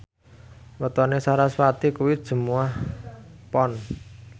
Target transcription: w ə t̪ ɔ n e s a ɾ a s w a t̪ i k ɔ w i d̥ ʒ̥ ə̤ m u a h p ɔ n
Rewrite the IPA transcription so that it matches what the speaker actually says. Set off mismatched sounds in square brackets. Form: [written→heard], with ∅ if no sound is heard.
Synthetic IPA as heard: w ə t̪ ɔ n e s a ɾ a s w a t̪ i k [ɔ→u] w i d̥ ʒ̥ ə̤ m u a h p ɔ n